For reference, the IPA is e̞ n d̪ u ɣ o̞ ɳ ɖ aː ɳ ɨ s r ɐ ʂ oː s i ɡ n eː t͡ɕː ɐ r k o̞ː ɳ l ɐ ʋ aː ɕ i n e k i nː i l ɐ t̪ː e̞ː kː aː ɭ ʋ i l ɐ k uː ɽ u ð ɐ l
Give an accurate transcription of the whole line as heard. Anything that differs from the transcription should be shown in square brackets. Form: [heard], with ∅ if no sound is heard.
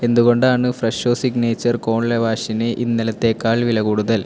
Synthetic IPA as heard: e̞ n d̪ u ɣ o̞ ɳ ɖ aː ɳ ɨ [f] r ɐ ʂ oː s i ɡ n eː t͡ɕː ɐ r k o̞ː ɳ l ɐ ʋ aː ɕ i n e [ʔ] i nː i l ɐ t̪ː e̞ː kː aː ɭ ʋ i l ɐ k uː ɽ u ð ɐ l